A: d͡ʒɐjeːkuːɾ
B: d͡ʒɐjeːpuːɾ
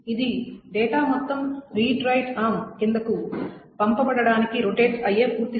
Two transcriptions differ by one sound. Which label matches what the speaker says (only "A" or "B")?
B